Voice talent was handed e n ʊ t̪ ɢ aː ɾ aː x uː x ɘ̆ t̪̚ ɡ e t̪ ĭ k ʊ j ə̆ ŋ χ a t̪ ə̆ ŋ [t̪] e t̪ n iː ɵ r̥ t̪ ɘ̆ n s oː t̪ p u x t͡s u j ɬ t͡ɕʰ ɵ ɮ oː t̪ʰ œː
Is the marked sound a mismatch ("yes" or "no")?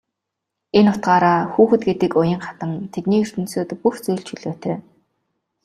yes